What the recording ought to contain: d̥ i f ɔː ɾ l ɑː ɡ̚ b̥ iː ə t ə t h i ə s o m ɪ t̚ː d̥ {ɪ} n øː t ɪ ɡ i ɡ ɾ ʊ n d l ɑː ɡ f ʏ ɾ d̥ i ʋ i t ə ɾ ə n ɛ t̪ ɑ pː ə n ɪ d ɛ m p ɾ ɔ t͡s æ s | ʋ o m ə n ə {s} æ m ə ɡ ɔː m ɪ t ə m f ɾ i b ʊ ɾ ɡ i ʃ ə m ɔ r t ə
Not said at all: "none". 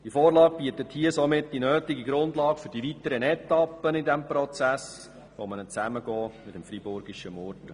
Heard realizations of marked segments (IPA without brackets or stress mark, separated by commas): i, t͡s